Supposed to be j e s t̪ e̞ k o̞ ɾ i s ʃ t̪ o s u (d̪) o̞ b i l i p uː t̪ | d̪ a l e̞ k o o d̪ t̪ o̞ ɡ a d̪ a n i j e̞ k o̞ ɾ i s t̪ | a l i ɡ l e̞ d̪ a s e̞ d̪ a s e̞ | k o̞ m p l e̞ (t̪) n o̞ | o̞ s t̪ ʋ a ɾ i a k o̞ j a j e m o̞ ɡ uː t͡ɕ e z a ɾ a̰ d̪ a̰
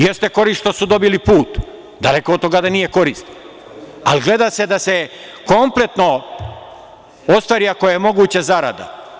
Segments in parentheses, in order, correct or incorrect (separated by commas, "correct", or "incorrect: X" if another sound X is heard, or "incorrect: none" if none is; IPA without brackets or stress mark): correct, correct